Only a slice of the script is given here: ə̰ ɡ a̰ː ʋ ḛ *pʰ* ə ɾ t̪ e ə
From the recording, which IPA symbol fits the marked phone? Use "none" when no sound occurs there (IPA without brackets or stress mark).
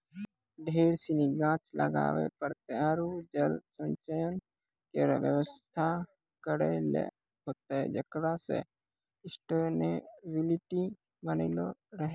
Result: p